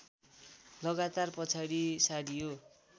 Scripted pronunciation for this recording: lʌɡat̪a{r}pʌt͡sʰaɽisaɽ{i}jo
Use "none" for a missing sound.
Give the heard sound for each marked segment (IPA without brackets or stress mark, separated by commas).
r, i